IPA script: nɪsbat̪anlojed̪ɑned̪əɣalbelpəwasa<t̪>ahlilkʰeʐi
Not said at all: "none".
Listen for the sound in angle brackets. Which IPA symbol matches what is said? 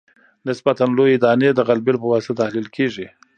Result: t̪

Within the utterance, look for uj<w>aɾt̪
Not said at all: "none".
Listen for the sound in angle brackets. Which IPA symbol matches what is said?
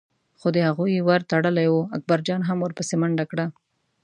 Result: w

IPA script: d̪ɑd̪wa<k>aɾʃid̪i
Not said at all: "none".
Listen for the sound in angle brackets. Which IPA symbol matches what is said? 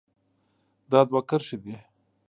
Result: k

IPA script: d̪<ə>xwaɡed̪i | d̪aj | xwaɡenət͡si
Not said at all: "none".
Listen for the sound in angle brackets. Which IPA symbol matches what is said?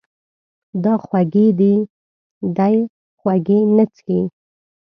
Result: ɑ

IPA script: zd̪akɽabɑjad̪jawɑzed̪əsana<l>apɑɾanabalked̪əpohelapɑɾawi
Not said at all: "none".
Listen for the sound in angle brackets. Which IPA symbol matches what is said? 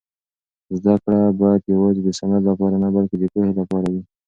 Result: l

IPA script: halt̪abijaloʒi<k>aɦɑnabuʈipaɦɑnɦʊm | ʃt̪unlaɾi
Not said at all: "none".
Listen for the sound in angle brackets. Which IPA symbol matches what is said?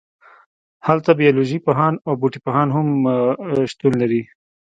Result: p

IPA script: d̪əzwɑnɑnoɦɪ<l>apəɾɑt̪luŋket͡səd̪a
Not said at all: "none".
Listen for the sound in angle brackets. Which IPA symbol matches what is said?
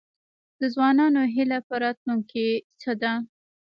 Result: l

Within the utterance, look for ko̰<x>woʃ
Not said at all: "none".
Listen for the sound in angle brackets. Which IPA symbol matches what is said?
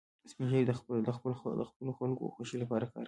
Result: x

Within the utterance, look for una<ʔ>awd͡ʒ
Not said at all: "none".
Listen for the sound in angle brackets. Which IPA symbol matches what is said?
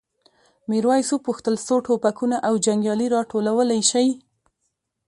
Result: ʔ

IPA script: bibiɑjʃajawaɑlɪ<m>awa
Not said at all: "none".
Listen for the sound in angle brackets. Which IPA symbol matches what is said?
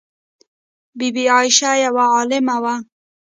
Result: m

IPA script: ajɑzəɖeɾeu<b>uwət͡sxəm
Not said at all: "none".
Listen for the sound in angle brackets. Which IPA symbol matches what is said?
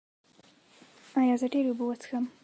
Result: b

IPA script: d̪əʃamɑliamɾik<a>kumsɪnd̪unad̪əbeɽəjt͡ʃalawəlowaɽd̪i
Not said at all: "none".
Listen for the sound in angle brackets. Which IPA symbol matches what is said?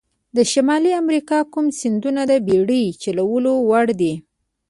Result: ɑ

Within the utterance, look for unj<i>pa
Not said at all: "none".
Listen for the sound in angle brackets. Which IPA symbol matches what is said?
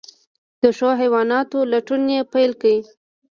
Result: e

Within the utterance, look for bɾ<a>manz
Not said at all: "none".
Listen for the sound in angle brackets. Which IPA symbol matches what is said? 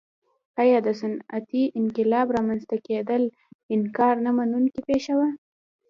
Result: ɑ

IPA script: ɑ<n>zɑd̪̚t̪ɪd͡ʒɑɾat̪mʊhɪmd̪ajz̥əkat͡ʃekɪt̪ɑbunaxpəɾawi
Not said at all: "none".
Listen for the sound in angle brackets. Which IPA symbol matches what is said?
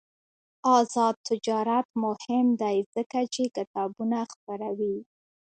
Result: none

